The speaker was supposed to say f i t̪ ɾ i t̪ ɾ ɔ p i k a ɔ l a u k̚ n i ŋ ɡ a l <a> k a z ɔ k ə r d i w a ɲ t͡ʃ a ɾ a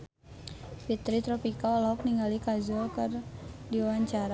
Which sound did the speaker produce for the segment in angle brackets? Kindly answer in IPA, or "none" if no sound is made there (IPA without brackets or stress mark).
i